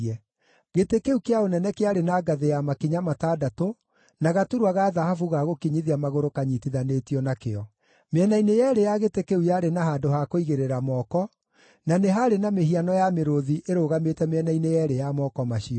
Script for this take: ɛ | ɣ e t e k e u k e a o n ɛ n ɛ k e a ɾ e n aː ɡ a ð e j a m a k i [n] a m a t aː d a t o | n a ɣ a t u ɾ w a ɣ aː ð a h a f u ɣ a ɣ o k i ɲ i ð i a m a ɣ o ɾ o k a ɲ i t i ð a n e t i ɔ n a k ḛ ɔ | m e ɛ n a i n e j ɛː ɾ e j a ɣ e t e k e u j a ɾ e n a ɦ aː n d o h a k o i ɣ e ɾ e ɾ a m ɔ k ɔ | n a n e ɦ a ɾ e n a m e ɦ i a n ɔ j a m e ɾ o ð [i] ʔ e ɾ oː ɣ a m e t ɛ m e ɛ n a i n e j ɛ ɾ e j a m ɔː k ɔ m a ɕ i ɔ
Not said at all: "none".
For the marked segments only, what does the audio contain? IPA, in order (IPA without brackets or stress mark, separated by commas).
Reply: ɲ, i